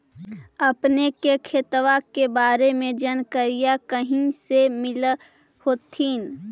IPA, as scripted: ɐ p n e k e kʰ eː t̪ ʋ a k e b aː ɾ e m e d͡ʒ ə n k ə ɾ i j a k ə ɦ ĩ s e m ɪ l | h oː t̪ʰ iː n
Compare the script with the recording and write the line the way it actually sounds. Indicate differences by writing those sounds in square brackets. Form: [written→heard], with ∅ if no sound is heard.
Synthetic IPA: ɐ p n e k e kʰ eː t̪ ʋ a k e b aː ɾ e m [e→ẽ] d͡ʒ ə n k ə ɾ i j a k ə ɦ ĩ s e m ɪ l | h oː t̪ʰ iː n